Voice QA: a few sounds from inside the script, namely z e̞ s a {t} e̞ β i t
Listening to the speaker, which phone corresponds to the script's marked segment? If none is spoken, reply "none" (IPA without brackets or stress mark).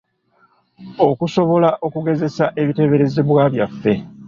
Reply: ʔ